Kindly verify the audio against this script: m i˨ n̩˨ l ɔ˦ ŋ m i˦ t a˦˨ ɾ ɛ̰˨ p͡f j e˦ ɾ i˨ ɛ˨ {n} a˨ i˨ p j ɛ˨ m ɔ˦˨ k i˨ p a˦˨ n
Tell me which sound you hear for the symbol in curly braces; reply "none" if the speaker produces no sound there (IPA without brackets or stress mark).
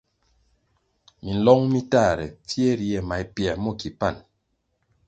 m